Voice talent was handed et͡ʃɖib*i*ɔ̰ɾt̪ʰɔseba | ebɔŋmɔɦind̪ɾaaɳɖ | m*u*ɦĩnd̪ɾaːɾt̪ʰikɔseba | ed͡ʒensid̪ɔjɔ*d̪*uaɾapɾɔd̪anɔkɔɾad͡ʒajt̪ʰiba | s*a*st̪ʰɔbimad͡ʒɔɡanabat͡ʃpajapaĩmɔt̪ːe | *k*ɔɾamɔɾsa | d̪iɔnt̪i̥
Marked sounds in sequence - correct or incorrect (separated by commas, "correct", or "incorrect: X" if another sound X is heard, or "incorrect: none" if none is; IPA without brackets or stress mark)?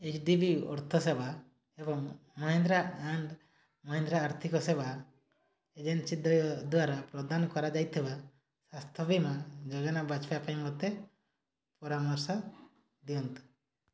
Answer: correct, incorrect: ɔ, correct, correct, incorrect: p